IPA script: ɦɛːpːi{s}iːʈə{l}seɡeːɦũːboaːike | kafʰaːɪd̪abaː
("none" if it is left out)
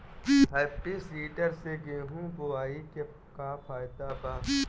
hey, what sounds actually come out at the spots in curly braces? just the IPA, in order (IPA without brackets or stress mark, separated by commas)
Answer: s, ɾ